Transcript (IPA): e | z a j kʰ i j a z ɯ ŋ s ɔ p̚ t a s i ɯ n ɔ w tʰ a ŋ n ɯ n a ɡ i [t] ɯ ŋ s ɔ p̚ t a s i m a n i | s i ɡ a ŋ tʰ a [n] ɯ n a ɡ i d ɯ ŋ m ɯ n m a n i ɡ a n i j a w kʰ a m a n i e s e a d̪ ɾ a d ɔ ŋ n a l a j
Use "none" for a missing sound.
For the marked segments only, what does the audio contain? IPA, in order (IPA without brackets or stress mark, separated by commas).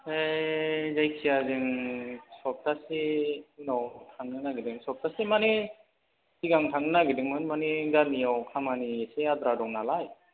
d, ŋ